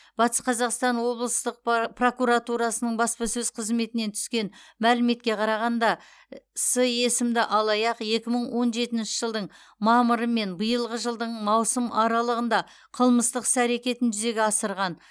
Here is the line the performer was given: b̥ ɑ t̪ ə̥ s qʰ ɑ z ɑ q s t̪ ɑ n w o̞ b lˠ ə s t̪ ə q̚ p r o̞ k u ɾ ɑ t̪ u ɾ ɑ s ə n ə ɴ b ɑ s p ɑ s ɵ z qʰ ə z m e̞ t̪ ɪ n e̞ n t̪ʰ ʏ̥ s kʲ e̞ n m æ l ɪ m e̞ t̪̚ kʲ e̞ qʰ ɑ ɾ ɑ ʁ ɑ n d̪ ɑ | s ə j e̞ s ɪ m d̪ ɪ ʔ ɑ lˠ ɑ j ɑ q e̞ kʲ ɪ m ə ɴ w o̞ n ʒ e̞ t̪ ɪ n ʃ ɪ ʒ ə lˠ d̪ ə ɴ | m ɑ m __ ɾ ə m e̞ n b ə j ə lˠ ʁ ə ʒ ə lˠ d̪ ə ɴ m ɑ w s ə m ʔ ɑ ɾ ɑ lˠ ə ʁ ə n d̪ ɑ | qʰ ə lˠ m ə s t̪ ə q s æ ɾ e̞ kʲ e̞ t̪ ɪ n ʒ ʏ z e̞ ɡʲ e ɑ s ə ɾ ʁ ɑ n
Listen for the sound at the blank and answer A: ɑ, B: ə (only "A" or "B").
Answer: B